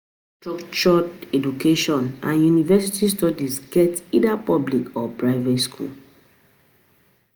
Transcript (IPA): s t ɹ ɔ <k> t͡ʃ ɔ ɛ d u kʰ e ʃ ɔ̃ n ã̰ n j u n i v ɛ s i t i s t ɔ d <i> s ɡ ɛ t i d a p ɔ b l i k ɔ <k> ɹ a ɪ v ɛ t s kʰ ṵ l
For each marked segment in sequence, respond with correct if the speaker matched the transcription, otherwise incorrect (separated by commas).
correct, correct, incorrect